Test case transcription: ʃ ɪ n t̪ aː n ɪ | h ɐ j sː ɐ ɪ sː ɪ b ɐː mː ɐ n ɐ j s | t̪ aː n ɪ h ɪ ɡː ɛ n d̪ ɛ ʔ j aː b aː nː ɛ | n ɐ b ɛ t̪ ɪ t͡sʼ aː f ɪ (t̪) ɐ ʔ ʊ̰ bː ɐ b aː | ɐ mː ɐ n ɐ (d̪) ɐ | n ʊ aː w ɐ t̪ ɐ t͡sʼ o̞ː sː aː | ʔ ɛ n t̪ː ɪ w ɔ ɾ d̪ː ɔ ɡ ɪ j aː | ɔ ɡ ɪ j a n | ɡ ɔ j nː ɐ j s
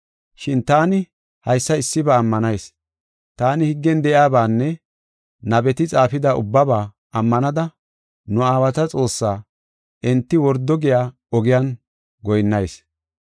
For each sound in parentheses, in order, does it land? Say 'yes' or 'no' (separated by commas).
no, yes